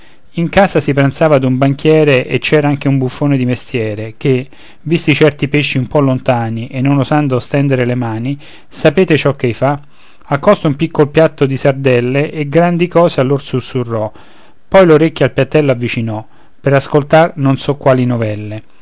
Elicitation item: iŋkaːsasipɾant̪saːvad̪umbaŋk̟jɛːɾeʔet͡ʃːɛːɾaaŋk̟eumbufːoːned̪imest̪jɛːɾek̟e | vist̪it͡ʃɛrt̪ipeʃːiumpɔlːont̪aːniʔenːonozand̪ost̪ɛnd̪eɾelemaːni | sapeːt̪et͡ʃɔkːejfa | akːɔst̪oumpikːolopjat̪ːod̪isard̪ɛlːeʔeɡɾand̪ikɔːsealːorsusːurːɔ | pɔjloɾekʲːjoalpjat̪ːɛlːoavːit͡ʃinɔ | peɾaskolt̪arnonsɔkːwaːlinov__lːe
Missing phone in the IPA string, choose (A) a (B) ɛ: B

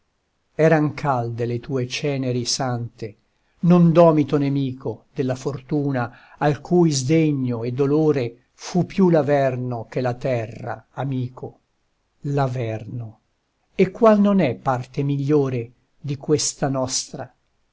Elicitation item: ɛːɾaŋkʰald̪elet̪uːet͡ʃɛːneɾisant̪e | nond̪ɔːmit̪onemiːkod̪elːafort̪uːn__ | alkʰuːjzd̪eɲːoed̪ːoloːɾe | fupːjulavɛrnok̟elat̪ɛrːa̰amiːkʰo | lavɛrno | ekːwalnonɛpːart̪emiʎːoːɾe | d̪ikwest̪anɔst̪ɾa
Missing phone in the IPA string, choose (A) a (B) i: A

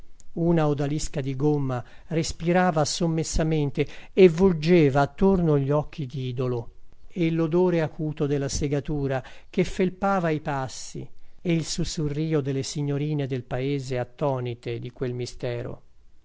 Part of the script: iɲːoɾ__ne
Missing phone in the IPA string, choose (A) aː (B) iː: B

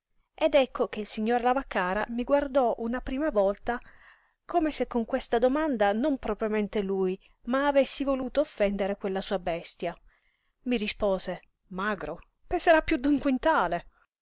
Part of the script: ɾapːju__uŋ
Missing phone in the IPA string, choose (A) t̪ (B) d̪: B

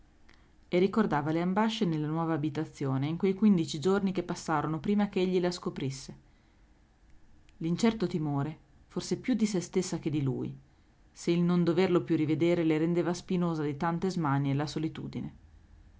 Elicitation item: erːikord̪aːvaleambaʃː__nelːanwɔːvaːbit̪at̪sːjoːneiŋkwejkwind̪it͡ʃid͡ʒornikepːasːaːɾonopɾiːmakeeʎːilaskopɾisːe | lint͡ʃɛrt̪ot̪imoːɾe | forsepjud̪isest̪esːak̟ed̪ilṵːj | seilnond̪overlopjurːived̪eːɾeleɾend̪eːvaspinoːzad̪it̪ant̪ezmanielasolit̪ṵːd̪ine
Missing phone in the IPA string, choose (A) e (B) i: A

